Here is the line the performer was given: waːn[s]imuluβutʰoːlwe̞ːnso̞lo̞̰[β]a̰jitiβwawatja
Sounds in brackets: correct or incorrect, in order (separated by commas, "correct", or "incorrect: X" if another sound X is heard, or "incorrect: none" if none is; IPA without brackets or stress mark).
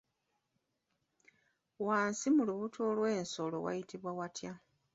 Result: correct, incorrect: w